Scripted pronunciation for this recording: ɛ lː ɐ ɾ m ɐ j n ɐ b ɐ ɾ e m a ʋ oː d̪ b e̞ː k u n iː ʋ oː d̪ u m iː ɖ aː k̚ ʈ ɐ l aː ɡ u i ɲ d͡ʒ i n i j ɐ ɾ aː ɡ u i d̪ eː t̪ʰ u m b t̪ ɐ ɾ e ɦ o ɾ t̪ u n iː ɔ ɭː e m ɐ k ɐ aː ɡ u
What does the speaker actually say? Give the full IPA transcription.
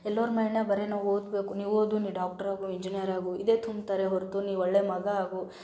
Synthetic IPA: ɛ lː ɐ ɾ m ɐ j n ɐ b ɐ ɾ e n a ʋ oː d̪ b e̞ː k u n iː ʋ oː d̪ u n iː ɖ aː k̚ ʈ ɐ ɾ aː ɡ u i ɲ d͡ʒ i n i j ɐ ɾ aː ɡ u i d̪ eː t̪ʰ u m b t̪ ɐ ɾ e ɦ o ɾ t̪ u n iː ɔ ɭː e m ɐ ɡ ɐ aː ɡ u